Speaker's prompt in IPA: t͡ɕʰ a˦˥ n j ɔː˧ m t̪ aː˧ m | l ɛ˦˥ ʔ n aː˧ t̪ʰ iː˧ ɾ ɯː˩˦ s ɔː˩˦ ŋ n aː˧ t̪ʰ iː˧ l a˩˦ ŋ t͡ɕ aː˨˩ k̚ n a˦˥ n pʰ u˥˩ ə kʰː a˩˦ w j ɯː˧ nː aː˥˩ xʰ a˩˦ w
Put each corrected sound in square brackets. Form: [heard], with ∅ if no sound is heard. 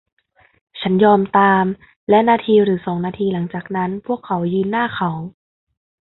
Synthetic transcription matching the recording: t͡ɕʰ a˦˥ n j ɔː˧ m t̪ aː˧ m | l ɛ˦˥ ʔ n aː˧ t̪ʰ iː˧ ɾ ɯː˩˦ s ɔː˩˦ ŋ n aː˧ t̪ʰ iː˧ l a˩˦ ŋ t͡ɕ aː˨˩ k̚ n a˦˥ n pʰ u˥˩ ə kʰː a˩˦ w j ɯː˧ nː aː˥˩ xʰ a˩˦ w